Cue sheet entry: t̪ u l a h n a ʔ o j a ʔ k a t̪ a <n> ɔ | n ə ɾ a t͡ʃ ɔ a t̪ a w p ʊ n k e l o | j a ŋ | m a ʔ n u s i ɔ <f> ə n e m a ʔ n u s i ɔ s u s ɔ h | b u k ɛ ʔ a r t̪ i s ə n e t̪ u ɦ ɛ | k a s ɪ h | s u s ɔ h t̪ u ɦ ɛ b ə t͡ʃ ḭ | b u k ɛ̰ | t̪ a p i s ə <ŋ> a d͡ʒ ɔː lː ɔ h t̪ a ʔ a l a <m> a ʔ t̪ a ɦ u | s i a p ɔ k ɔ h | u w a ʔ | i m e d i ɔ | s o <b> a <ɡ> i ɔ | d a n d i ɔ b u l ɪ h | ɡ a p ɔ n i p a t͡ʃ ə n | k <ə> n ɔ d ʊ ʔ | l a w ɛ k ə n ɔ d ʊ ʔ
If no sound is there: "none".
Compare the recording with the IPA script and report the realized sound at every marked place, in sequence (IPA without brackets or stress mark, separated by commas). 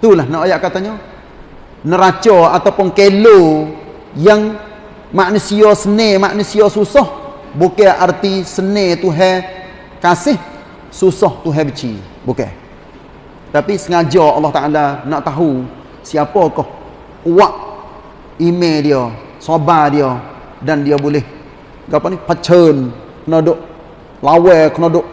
ɲ, s, ŋ, n, b, d, ə